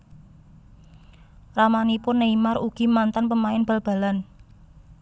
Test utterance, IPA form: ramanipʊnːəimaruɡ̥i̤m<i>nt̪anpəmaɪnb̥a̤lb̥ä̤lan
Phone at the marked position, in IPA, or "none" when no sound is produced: a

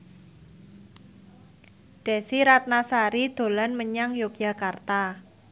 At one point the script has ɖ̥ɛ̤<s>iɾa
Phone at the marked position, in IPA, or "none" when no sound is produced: s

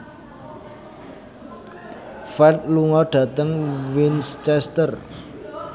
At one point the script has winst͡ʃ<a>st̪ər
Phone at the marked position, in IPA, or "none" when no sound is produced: ɛ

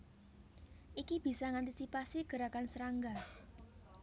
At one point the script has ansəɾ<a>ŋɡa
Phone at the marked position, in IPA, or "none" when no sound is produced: a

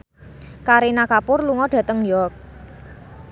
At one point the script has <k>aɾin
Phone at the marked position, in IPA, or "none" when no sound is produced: k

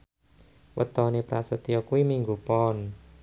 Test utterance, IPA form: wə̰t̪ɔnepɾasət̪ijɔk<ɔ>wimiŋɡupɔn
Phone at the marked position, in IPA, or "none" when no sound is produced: u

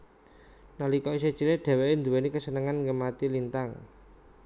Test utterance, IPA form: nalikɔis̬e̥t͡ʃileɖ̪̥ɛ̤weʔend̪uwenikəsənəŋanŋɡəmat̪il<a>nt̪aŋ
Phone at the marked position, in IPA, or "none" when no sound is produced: i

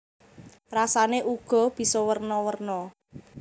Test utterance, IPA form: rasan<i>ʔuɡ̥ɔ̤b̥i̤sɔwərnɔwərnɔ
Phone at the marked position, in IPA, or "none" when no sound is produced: e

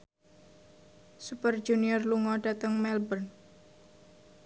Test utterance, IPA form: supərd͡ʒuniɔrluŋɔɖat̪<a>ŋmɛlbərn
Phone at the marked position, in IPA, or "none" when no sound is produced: ə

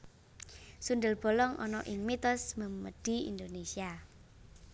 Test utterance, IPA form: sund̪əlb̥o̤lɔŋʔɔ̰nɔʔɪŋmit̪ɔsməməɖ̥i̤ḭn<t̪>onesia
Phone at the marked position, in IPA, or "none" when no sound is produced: d̪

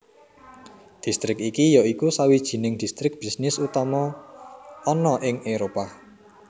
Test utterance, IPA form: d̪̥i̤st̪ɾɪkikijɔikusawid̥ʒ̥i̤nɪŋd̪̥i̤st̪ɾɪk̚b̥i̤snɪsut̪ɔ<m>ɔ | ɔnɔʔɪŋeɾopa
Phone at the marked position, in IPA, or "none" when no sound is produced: m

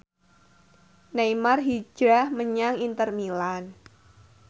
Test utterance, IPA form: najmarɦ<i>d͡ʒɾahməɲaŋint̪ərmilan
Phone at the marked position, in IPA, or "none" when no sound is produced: i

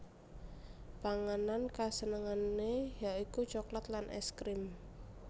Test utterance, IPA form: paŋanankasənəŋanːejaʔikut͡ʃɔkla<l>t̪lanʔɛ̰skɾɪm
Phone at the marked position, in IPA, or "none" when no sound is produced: none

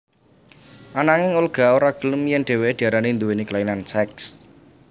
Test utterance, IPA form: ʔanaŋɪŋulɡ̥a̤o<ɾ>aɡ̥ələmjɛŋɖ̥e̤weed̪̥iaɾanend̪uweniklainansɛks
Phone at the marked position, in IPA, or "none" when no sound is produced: ɾ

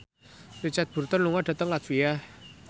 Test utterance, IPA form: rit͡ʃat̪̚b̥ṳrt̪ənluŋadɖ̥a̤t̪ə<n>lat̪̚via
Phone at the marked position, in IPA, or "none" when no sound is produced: ŋ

